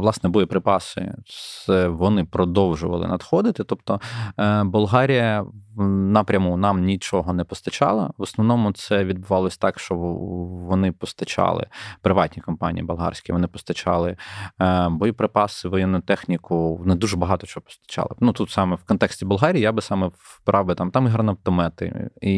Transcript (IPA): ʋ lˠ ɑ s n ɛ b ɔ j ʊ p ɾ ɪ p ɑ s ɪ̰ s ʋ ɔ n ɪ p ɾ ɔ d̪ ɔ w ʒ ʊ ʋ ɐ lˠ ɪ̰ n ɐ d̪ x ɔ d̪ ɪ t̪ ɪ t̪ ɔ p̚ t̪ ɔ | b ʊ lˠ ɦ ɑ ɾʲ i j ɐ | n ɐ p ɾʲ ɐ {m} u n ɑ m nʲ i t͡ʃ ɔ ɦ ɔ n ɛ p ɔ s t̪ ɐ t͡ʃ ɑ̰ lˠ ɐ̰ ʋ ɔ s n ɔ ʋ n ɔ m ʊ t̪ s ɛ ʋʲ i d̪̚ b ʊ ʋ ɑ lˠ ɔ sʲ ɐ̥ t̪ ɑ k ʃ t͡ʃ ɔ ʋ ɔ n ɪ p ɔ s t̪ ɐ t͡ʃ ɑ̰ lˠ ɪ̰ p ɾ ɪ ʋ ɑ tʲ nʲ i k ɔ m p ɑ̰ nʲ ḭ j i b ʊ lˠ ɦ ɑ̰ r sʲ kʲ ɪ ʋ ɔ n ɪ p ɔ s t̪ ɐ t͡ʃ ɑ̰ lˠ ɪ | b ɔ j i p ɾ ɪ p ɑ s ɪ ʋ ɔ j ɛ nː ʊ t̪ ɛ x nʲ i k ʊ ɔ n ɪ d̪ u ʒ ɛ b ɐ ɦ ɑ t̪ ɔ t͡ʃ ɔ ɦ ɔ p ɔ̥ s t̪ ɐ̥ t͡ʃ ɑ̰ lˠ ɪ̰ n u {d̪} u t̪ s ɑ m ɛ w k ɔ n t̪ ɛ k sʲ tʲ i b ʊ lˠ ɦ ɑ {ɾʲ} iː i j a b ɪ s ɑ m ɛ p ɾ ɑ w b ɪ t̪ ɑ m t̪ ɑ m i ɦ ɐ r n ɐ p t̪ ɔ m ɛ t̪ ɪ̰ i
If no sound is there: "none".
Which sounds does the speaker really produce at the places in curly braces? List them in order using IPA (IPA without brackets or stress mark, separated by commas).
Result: m, t̪, ɾʲ